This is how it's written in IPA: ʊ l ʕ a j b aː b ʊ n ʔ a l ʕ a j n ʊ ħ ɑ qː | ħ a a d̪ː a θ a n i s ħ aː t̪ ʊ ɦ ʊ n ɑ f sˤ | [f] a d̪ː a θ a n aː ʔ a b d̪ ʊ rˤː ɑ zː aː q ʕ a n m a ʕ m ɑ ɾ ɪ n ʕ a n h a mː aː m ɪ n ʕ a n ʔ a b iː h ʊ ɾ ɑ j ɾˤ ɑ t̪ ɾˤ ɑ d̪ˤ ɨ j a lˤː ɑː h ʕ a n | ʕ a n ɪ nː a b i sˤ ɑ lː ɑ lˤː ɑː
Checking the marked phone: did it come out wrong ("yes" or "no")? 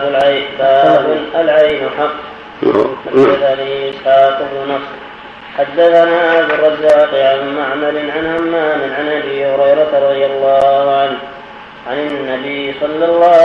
yes